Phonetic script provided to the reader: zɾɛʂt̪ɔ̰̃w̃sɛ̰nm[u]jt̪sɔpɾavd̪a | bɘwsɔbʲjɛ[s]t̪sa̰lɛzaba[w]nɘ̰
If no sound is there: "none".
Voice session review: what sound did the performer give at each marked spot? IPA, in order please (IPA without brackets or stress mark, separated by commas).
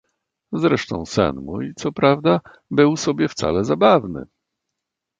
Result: u, f, v